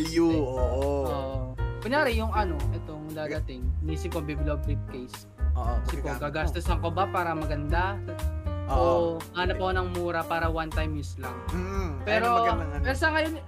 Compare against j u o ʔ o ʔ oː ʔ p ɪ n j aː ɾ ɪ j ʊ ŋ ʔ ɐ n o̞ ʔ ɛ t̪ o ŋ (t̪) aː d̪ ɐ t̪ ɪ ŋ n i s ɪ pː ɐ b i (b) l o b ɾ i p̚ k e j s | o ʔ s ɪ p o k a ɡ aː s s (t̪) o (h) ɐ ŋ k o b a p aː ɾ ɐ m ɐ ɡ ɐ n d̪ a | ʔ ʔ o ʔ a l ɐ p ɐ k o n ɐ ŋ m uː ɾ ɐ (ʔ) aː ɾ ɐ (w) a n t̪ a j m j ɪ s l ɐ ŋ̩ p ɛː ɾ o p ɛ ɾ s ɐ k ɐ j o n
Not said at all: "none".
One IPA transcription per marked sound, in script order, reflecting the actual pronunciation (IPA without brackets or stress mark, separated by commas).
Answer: d̪, b, t̪, s, p, w